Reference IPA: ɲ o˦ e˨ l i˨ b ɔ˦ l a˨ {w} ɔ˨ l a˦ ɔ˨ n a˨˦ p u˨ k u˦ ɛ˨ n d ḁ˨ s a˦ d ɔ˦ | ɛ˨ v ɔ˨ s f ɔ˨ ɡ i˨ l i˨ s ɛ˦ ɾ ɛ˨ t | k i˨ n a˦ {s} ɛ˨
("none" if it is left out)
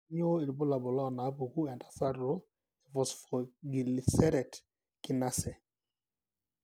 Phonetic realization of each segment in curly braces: b, s

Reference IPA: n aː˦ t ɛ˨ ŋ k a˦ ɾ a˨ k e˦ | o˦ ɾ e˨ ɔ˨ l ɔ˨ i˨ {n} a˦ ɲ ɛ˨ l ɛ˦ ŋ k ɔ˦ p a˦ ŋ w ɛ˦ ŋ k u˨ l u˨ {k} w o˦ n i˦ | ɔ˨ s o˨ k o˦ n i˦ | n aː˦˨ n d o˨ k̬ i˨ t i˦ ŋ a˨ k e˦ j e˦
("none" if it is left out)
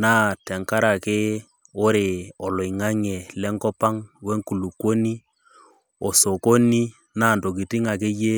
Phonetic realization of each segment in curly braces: ŋ, k

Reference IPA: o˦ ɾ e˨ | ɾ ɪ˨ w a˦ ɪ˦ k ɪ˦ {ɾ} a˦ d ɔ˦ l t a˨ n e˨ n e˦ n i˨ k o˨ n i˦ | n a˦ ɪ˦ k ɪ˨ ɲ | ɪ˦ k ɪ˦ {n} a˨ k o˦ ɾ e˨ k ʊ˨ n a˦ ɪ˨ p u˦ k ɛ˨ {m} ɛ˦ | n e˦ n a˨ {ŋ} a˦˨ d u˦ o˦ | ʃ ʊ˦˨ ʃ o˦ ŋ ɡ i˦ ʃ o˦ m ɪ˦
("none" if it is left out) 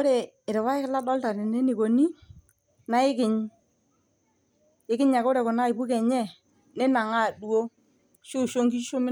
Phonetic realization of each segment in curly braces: l, ɲ, ɲ, ŋ

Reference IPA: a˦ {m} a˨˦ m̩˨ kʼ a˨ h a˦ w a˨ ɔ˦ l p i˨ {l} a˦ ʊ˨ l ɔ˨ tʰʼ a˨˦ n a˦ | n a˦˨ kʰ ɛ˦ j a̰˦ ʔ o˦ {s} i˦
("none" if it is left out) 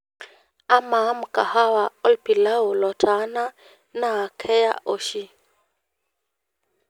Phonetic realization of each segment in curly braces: m, l, ʃ

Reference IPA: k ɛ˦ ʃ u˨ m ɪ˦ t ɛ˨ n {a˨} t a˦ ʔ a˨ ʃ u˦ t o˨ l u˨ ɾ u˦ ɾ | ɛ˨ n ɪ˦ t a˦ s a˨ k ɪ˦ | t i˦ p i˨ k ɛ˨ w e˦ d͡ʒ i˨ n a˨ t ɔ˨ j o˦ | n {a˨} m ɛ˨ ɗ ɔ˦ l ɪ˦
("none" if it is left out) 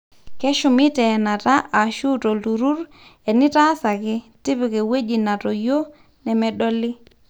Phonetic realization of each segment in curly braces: a˨, ɛ˨

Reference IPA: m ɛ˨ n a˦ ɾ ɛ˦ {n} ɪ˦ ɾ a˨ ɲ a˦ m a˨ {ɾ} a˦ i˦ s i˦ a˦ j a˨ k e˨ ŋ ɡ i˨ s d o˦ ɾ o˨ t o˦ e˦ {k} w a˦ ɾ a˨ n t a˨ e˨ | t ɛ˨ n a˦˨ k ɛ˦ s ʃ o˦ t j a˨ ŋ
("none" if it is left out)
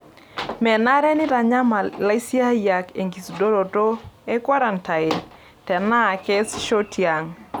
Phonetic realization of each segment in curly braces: n, l, k

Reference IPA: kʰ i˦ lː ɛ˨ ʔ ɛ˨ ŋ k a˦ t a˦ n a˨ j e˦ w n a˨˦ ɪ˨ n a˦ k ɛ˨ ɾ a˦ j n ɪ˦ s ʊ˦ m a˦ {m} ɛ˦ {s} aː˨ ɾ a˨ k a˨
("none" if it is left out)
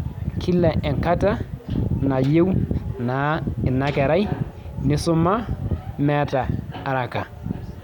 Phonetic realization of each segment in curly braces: m, t

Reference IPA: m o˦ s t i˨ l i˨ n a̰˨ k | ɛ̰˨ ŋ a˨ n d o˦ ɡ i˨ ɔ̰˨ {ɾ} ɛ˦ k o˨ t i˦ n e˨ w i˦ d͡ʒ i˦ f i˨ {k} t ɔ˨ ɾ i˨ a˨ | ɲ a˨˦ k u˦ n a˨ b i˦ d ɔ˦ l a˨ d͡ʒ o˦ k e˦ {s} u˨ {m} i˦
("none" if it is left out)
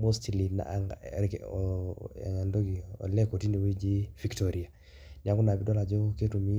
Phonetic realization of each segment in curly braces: l, k, t, m

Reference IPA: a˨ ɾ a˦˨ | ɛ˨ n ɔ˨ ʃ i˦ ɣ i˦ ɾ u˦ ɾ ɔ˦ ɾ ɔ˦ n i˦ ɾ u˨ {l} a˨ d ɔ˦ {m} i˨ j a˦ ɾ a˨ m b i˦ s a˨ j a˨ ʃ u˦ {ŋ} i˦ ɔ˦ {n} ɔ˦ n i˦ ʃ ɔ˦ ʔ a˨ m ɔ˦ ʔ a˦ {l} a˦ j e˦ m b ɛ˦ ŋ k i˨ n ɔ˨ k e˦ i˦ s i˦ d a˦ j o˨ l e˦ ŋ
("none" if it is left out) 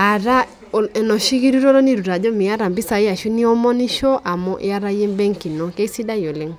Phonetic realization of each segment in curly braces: ɾ, m, n, m, ɾ

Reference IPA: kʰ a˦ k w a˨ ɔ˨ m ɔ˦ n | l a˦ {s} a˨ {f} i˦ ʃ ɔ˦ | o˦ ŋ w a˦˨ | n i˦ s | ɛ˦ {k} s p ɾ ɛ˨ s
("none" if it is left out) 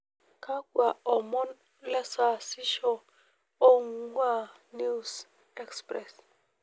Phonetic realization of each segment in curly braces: s, s, k

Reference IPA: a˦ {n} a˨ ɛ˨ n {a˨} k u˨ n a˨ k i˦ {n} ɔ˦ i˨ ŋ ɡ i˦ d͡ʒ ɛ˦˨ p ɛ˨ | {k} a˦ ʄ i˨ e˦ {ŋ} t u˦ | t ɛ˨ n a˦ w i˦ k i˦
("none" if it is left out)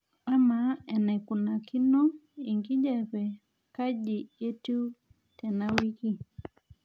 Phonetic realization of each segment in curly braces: m, ɛ˨, n, k, none

